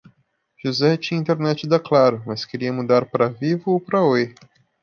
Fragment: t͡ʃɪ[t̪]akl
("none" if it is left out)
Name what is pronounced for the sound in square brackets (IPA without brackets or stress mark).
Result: d̪